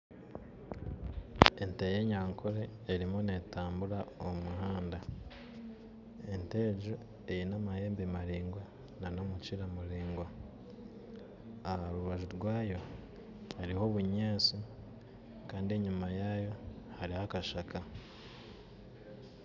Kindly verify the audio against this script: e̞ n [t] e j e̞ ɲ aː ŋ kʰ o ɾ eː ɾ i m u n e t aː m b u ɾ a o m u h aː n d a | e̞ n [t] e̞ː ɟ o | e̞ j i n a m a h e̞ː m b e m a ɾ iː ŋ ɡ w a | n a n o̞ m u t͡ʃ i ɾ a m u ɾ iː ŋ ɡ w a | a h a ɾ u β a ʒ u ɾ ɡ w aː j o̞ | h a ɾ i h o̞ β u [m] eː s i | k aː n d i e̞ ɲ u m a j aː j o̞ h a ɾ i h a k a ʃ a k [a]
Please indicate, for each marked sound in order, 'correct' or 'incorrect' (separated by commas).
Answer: correct, correct, incorrect, correct